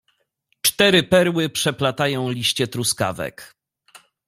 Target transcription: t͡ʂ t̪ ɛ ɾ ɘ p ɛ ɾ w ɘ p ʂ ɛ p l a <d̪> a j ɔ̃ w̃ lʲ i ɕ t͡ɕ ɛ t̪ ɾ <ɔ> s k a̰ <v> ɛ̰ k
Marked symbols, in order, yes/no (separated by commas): no, no, yes